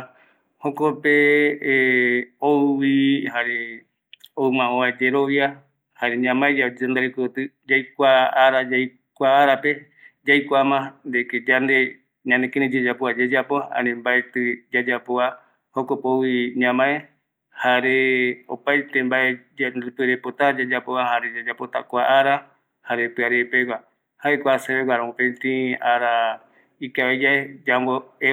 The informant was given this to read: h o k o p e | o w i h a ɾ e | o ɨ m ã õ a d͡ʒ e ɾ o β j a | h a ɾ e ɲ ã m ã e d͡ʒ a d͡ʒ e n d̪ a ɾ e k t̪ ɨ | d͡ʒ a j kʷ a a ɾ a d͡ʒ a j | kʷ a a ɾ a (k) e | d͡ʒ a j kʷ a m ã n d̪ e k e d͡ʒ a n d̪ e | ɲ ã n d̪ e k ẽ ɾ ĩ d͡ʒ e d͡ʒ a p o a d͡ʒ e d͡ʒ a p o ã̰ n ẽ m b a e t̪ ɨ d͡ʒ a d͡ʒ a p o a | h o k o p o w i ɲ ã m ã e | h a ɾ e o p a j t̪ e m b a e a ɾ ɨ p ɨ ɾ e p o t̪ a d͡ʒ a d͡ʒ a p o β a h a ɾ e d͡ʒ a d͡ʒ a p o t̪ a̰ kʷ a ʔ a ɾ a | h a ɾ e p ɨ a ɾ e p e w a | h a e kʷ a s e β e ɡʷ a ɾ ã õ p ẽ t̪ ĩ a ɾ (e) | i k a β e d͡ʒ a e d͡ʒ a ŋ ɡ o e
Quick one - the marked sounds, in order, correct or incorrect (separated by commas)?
incorrect, incorrect